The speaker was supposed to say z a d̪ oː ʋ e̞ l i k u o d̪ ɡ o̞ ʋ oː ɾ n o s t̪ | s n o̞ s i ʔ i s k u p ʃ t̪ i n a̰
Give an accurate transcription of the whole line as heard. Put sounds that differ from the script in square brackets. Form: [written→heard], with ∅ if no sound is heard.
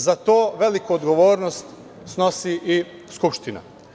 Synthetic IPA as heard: z a [d̪→t̪] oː ʋ e̞ l i k u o d̪ ɡ o̞ ʋ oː ɾ n o s t̪ | s n o̞ s i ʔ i s k u p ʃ t̪ i n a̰